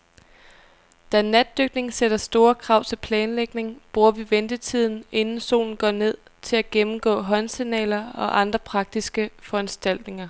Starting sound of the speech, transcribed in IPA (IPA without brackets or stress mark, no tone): d̥